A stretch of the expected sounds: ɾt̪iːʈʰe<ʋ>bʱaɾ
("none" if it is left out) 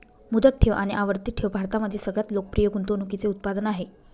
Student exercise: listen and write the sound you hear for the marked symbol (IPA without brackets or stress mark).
ʋ